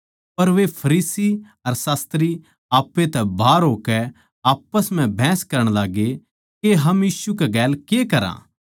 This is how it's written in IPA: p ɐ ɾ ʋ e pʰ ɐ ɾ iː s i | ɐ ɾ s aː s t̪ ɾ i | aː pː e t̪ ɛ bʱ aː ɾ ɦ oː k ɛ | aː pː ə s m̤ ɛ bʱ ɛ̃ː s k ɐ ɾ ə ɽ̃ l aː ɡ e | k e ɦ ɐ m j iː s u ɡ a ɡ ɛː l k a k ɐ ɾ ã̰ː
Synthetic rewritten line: p ɐ ɾ ʋ e pʰ ɐ ɾ iː s i | ɐ ɾ s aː s t̪ ɾ i | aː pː e t̪ ɛ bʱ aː ɾ ɦ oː k ɛ | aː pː ə s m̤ ɛ̃ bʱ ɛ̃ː s k ɐ ɾ ə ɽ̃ l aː ɡ e | k e ɦ ɐ m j iː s u k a ɡ ɛː l k e k ɐ ɾ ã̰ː